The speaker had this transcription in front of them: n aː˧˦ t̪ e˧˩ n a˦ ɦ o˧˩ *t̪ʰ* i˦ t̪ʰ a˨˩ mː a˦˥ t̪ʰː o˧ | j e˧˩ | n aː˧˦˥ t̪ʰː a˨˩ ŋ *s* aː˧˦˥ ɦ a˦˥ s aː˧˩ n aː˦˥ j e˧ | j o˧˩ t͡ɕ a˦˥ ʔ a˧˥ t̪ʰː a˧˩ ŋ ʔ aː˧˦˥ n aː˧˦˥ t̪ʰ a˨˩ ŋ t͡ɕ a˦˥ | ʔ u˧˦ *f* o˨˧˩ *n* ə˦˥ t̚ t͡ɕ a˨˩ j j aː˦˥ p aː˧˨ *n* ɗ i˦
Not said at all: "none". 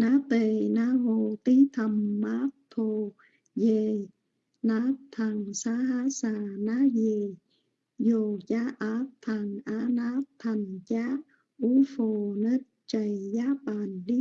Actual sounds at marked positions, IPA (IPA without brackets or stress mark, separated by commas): t̪, s, f, n, n